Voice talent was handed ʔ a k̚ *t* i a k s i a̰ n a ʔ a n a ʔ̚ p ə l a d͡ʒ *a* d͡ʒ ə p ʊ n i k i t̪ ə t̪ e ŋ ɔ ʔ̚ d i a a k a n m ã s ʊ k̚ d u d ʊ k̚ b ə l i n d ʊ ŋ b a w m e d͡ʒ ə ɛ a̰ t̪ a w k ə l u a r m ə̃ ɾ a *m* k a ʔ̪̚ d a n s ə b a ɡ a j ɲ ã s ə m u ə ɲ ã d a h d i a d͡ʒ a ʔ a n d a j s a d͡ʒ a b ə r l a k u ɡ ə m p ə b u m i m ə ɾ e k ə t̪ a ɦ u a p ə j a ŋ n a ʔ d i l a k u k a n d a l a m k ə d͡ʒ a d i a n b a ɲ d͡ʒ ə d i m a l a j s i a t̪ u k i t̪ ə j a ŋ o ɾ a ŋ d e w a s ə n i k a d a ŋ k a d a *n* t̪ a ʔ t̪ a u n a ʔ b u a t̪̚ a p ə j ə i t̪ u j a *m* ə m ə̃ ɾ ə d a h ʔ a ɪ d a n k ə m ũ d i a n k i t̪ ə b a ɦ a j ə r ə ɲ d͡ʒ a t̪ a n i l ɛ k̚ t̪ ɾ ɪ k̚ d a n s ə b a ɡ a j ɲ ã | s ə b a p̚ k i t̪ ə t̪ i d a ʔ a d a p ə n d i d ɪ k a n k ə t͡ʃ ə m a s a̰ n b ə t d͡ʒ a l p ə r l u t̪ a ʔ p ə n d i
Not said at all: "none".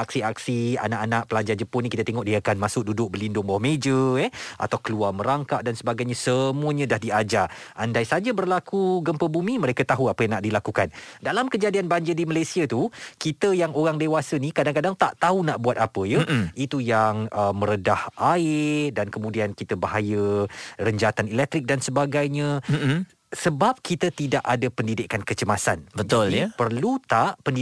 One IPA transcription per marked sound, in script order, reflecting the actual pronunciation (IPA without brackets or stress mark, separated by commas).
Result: s, a, ŋ, ŋ, ŋ